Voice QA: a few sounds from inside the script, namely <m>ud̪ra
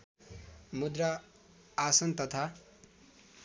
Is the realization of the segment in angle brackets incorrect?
no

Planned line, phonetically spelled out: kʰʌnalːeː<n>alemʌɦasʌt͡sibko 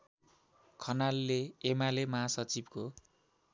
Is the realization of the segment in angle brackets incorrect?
yes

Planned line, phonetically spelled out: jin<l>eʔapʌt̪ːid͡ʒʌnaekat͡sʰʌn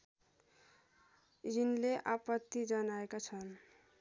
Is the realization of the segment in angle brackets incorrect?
no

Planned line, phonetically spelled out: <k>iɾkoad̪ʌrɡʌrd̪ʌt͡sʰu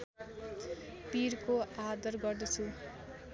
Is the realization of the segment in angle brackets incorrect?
yes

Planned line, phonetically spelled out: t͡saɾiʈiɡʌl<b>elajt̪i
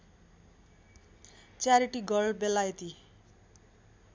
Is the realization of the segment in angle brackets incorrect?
no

